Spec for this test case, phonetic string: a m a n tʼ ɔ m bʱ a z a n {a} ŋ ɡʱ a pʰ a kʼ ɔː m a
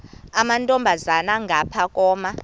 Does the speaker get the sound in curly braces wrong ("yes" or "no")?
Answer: no